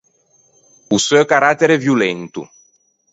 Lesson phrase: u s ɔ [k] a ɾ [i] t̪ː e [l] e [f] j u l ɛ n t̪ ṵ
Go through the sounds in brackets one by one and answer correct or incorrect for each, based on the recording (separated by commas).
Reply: correct, incorrect, incorrect, incorrect